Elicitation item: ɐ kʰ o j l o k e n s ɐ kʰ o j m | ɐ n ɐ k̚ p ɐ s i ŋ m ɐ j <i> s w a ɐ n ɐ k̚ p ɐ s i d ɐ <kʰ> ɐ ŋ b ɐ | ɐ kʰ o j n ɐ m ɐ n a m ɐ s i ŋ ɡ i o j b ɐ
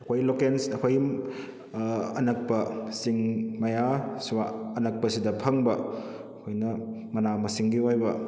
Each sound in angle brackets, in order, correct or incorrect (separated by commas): incorrect, incorrect